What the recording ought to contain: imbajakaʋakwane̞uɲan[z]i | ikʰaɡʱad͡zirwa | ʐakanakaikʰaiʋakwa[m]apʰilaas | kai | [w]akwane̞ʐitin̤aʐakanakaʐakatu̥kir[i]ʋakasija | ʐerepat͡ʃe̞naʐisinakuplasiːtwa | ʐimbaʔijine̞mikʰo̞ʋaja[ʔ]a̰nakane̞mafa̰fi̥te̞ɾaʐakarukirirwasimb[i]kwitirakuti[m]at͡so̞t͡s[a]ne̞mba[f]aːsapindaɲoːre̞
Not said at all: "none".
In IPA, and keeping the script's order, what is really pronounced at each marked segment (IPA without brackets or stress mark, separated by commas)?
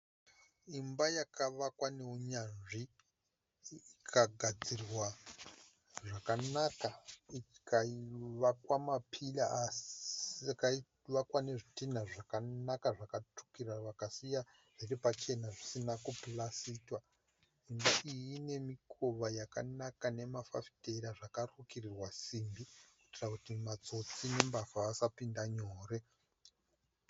ʐ, m, ʋ, a, k, i, m, i, f